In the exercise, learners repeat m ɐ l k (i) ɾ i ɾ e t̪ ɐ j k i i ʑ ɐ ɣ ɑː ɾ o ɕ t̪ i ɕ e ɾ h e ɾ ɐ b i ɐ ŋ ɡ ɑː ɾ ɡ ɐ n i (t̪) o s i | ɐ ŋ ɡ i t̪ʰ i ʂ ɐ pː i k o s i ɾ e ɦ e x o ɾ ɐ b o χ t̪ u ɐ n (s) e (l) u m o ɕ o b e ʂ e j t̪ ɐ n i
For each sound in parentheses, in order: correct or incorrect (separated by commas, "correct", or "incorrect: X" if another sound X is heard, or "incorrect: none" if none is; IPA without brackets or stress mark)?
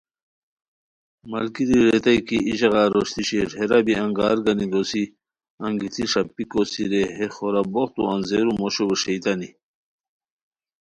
correct, incorrect: d̪, incorrect: z, incorrect: ɾ